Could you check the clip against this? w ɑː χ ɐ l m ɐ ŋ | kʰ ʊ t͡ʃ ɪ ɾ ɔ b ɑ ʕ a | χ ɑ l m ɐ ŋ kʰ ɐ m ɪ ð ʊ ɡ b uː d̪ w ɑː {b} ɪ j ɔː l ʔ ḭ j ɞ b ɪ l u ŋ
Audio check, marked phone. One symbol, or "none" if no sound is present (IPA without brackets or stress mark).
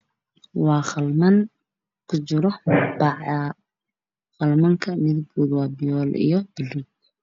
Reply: b